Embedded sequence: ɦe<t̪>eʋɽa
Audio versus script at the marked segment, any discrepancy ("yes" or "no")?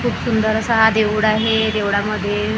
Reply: yes